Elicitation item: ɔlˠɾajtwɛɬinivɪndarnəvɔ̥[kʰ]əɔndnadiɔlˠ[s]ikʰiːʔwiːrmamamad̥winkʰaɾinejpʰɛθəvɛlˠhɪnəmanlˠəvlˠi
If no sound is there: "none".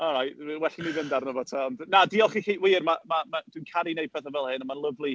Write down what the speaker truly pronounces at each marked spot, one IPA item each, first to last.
tʰ, χ

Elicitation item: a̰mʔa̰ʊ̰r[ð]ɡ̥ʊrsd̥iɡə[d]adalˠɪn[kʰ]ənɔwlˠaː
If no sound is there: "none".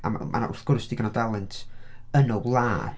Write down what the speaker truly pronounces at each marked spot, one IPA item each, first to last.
θ, n, tʰ

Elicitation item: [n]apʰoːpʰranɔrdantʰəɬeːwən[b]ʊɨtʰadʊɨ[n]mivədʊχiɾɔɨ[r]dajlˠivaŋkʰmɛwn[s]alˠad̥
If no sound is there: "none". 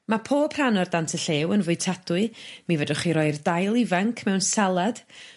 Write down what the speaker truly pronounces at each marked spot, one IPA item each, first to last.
m, v, none, r, s

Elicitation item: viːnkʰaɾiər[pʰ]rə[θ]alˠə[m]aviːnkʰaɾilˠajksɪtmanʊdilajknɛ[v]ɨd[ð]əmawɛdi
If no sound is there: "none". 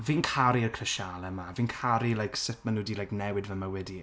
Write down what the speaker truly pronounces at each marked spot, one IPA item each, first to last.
kʰ, ʃ, m, w, v

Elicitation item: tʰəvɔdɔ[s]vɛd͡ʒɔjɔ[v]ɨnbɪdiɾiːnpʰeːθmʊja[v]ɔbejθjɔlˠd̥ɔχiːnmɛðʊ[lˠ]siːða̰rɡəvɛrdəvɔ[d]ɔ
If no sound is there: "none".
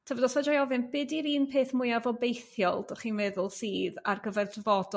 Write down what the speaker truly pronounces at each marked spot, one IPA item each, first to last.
s, v, v, lˠ, d

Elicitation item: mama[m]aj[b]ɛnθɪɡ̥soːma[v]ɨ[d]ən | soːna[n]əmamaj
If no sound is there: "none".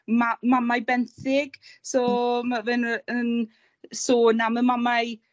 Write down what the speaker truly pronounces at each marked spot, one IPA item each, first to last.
m, b, v, n, m

